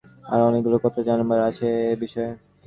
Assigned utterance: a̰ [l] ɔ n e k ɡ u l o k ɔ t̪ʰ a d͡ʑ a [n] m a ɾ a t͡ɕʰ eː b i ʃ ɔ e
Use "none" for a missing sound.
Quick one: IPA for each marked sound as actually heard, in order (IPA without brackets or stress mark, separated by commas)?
ɾ, n